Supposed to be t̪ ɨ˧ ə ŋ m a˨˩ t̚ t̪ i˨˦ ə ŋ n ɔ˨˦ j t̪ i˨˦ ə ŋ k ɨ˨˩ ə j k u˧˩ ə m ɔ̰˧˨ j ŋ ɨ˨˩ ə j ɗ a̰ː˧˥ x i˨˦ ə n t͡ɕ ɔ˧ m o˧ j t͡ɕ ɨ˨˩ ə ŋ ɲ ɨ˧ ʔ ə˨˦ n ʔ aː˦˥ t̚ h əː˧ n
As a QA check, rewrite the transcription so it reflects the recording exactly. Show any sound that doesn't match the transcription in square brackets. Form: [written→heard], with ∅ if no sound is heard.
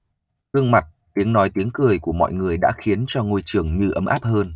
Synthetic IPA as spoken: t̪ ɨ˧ ə ŋ m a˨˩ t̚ t̪ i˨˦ ə ŋ n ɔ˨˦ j t̪ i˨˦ ə ŋ k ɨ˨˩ ə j k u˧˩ ə m ɔ̰˧˨ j ŋ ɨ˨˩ ə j ɗ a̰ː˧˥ x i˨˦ ə n t͡ɕ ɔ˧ [m→ŋ] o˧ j t͡ɕ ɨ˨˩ ə ŋ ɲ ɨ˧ ʔ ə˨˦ [n→m] ʔ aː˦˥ [t̚→p̚] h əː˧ n